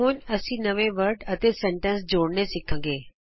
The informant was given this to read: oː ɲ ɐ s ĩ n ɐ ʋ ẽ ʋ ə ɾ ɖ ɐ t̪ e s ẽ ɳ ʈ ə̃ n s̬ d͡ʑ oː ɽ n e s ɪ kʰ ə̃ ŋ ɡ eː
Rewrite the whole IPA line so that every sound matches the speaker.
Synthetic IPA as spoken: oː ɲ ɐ s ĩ n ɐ ʋ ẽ ʋ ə ɾ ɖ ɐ t̪ e s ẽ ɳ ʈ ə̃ n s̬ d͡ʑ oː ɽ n e s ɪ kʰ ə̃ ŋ ɡ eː